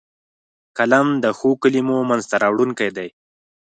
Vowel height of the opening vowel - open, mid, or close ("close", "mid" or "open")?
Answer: open